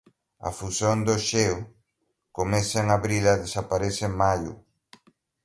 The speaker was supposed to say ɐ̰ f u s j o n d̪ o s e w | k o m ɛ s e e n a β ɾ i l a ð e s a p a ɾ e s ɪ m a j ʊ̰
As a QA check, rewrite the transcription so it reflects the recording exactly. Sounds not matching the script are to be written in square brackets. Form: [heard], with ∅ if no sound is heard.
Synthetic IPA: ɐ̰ f u s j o n d̪ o [ʃ] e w | k o m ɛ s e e [ŋ] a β ɾ i l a ð e s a p a ɾ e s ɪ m a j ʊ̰